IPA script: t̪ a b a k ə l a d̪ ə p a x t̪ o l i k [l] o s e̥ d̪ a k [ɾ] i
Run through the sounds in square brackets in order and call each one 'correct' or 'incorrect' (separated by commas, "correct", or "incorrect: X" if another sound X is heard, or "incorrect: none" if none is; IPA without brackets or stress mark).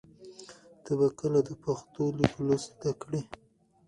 correct, incorrect: ɽ